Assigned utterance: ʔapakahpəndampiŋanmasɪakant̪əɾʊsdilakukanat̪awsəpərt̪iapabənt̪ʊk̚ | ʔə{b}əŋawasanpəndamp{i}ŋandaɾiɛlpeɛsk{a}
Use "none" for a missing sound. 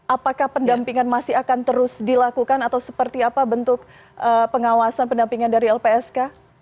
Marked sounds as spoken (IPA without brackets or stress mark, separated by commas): p, i, a